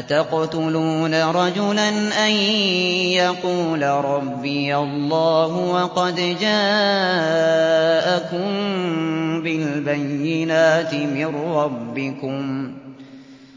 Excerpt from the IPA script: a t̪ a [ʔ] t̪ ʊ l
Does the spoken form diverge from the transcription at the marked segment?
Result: yes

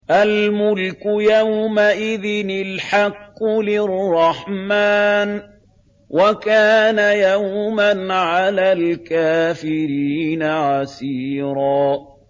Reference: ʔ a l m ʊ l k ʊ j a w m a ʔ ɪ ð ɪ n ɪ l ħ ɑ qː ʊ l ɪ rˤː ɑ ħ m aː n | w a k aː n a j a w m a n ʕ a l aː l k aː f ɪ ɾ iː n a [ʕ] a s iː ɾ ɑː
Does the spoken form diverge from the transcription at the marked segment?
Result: no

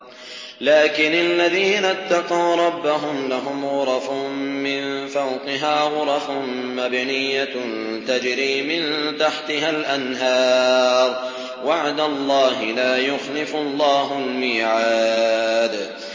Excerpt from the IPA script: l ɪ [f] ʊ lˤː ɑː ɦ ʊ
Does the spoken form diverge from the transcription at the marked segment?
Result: no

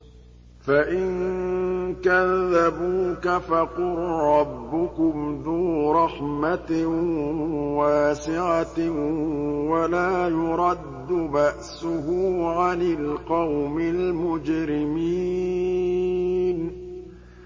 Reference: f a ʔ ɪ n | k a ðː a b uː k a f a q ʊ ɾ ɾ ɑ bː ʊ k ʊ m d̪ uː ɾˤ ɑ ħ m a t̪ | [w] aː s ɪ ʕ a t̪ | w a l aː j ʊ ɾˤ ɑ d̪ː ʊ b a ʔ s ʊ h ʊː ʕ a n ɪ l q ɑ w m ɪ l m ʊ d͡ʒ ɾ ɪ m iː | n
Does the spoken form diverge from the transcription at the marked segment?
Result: no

